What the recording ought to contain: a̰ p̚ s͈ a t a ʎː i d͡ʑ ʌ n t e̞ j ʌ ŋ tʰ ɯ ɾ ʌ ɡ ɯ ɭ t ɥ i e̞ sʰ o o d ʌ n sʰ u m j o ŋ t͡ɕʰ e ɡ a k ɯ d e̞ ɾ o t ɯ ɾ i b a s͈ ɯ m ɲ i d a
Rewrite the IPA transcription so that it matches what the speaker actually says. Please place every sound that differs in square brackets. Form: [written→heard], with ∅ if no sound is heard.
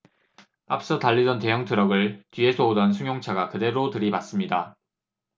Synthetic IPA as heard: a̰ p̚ s͈ [a→ʌ] t a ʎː i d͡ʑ ʌ n t e̞ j ʌ ŋ tʰ ɯ ɾ ʌ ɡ ɯ ɭ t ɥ i e̞ sʰ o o d ʌ n sʰ u [m→ŋ] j o ŋ t͡ɕʰ [e→a] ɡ a k ɯ d e̞ ɾ o t ɯ ɾ i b a s͈ ɯ m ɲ i d a

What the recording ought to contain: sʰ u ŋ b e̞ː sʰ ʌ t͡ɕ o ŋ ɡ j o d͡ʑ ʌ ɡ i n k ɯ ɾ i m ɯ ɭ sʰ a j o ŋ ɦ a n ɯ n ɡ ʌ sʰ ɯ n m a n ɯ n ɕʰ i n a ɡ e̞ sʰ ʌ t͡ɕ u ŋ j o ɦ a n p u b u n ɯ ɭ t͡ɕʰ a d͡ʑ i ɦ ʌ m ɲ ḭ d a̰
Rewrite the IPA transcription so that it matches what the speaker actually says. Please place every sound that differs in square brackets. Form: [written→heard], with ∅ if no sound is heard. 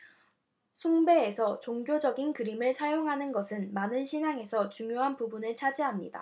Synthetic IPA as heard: sʰ u ŋ b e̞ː sʰ ʌ t͡ɕ o ŋ ɡ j o d͡ʑ ʌ ɡ i n k ɯ ɾ i m ɯ ɭ sʰ a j o ŋ ɦ a n ɯ n ɡ ʌ sʰ ɯ n m a n ɯ n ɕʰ i n a [ɡ→ŋ] e̞ sʰ ʌ t͡ɕ u ŋ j o ɦ a n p u b u n ɯ ɭ t͡ɕʰ a d͡ʑ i ɦ [ʌ→a] m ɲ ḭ d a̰

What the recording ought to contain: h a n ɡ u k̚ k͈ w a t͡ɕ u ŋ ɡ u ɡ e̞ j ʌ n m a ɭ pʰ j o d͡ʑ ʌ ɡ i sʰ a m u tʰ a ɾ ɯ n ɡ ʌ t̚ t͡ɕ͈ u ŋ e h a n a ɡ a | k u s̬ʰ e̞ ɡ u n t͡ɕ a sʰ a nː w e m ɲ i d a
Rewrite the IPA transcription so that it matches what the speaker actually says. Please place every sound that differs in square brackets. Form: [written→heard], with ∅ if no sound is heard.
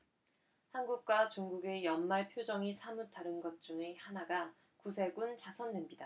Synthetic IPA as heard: h a n ɡ u k̚ k͈ w a t͡ɕ u ŋ ɡ u ɡ e̞ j ʌ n m a ɭ pʰ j o d͡ʑ ʌ [ɡ→ŋ] i sʰ a m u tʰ a ɾ ɯ n ɡ ʌ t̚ t͡ɕ͈ u ŋ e h a n a ɡ a | k u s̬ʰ e̞ ɡ u n t͡ɕ a sʰ [a→ʌ] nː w e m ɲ i d a

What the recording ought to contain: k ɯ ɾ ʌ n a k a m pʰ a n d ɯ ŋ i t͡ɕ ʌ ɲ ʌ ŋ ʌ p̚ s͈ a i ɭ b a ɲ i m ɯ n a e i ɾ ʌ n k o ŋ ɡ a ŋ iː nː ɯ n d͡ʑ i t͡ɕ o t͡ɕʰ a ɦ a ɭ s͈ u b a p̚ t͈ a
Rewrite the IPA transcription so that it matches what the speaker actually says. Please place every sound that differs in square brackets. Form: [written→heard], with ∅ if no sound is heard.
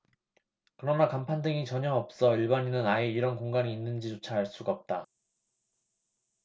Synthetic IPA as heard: k ɯ ɾ ʌ n a k a m pʰ a n d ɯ ŋ i t͡ɕ ʌ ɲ ʌ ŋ ʌ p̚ s͈ [a→ʌ] i ɭ b a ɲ i [m→n] ɯ n a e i ɾ ʌ n k o ŋ ɡ a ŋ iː nː ɯ n d͡ʑ i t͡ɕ o t͡ɕʰ a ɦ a ɭ s͈ u [b→ɡ] a p̚ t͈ a

